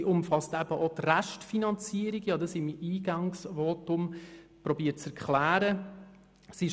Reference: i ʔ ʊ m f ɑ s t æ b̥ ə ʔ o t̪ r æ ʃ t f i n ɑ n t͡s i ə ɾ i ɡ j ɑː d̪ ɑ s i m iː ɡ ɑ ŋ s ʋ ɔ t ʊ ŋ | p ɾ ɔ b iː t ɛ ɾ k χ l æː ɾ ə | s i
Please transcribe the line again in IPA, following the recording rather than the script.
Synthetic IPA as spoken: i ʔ ʊ m f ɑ s t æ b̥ ə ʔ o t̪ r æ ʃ t f i n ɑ n t͡s i ə ɾ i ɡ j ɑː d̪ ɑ s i m iː ɡ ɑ ŋ s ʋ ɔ t ʊ m | p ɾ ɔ b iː t͡s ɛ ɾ k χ l æː ɾ ə | s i